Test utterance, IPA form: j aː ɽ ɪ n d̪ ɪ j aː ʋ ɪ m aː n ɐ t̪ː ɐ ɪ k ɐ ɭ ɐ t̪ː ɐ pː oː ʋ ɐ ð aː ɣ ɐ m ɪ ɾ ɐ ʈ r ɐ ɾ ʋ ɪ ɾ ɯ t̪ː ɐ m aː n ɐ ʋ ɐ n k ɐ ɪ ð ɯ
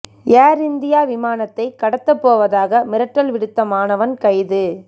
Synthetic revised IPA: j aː ɾ ɪ n d̪ ɪ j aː ʋ ɪ m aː n ɐ t̪ː ɐ ɪ k ɐ ɽ ɐ t̪ː ɐ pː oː ʋ ɐ ð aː ɣ ɐ m ɪ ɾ ɐ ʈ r ɐ l ʋ ɪ ɽ ɯ t̪ː ɐ m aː n ɐ ʋ ɐ n k ɐ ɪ ð ɯ